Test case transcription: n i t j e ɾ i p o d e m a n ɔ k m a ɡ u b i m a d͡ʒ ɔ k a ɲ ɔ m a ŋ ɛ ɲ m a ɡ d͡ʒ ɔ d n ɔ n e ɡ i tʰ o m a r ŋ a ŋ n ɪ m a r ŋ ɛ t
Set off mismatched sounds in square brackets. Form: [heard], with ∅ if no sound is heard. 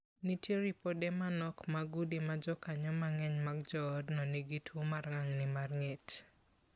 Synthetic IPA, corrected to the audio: n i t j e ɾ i p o d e m a n ɔ k m a ɡ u [d] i m a d͡ʒ ɔ k a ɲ ɔ m a ŋ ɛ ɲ m a ɡ d͡ʒ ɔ d n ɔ n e ɡ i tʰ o m a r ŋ a ŋ n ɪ m a r ŋ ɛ t